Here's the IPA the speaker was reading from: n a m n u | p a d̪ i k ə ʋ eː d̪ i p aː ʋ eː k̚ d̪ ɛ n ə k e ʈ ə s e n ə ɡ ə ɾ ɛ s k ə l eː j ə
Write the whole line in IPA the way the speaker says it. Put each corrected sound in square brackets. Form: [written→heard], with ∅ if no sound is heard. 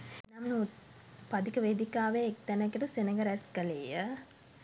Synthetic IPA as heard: n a m n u | p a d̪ i k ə ʋ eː d̪ i [p→k] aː ʋ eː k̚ [d̪→t̪] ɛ n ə k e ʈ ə s e n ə ɡ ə ɾ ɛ s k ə l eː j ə